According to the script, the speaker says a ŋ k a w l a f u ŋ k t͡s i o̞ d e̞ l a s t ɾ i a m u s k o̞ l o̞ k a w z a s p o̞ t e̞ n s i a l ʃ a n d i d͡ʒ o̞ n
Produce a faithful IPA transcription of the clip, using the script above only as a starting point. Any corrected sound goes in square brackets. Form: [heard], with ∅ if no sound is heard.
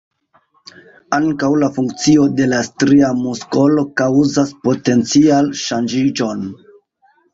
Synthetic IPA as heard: a ŋ k a w l a f u ŋ k t͡s i o̞ d e̞ l a s t ɾ i a m u s k o̞ l o̞ k a w z a s p o̞ t e̞ n [t͡s] i a l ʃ a n [d͡ʒ] i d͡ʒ o̞ n